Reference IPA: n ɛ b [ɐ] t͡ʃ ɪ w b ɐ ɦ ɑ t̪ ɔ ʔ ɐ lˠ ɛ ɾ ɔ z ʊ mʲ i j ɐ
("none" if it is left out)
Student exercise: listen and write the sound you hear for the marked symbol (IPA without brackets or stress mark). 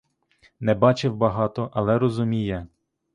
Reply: ɑ